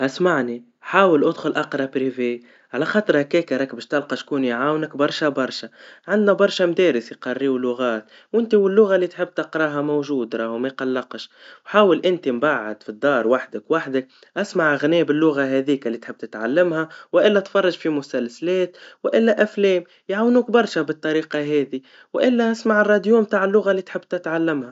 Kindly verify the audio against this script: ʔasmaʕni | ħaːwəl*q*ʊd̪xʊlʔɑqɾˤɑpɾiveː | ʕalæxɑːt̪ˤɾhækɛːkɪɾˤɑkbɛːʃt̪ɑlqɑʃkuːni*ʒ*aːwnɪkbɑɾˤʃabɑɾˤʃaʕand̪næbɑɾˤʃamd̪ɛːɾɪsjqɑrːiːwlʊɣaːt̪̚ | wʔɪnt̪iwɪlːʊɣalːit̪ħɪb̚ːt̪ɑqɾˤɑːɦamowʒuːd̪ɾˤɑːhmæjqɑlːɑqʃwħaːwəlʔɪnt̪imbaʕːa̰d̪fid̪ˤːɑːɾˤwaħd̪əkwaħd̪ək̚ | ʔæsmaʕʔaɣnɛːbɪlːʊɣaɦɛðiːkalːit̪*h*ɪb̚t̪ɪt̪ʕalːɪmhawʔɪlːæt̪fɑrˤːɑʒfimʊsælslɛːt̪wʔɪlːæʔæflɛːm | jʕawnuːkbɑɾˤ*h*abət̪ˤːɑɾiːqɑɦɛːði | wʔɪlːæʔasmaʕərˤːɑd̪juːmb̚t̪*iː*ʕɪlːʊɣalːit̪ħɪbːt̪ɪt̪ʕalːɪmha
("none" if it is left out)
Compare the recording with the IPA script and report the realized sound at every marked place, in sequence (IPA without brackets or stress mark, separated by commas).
ʔ, ʕ, ħ, ʃ, aː